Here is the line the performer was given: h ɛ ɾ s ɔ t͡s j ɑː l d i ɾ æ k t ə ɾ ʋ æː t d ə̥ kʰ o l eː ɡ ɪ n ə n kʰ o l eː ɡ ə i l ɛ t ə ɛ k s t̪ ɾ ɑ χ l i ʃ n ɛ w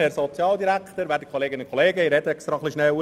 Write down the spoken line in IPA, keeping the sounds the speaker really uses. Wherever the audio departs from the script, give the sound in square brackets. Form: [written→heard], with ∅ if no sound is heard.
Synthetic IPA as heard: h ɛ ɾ s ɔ t͡s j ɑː l d i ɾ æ k t ə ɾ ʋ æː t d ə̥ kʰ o l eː ɡ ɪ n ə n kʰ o l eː ɡ ə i [l→ɾ] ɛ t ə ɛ k s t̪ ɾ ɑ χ l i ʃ n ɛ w